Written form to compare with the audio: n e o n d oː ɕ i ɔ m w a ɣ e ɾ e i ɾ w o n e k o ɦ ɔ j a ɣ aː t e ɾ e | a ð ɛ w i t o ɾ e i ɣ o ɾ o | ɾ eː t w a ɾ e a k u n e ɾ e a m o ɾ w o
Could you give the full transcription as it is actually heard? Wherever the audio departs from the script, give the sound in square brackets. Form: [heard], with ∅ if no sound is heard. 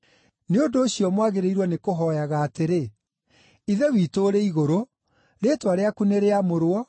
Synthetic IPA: n e o n d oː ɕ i ɔ m w a ɣ e ɾ e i ɾ w [ɔ] n e k o ɦ ɔ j a ɣ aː t e ɾ e | [i] ð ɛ w i t o ɾ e i ɣ o ɾ o | ɾ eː t w a ɾ e a k u n e ɾ e a m o ɾ w [ɔ]